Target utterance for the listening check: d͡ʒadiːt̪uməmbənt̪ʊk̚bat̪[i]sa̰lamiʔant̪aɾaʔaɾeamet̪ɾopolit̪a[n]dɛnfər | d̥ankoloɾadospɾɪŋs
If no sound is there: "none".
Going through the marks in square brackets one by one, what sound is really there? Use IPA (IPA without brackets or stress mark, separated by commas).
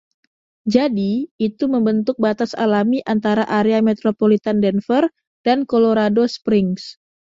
a, n